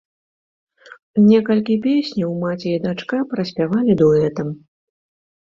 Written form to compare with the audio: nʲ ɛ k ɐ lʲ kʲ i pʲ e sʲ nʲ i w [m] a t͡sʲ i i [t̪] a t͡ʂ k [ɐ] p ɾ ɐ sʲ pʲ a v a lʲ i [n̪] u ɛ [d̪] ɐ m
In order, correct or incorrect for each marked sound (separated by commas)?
correct, incorrect, incorrect, incorrect, incorrect